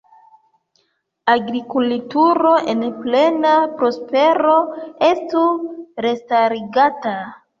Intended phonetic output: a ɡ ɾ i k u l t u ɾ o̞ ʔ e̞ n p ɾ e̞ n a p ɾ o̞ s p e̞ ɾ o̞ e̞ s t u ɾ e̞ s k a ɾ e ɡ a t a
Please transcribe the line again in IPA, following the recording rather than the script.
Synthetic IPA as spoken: a ɡ ɾ i k u l t u ɾ o̞ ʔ e̞ n p l e̞ n a p ɾ o̞ s p e̞ ɾ o̞ e̞ s t u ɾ e̞ s t a ɾ i ɡ a t a